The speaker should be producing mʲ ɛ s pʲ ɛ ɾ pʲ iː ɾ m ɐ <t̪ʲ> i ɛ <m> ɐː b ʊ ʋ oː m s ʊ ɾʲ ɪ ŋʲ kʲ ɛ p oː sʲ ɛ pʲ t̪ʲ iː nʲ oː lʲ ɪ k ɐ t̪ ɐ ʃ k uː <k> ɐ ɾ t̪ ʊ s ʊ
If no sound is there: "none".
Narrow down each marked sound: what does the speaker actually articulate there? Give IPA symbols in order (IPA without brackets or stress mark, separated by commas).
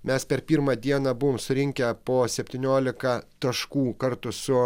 d̪ʲ, n, k